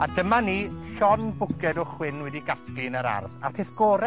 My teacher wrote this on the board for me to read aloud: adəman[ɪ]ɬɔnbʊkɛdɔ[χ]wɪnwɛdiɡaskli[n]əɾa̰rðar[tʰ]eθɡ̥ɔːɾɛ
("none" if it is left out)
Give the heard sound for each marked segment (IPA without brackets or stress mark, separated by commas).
i, χ, n, pʰ